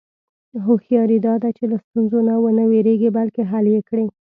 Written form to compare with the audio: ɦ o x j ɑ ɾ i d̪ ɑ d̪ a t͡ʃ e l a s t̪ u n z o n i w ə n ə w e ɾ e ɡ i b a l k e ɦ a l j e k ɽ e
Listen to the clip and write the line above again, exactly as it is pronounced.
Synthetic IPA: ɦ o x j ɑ ɾ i d̪ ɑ d̪ a t͡ʃ e l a s t̪ u n z o n a w ə n ə w e ɾ e ɡ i b a l k e ɦ a l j e k ɽ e